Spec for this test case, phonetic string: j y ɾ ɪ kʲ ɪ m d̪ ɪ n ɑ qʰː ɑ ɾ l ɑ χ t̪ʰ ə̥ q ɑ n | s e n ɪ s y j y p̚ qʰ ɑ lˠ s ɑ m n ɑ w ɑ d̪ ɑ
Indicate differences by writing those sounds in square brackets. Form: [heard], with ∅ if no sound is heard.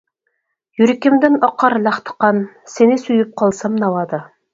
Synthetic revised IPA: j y ɾ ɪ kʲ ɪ m d̪ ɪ n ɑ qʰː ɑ ɾ l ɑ χ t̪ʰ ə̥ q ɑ n | s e n ɪ s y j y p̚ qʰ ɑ lˠ s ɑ m n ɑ w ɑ d̪ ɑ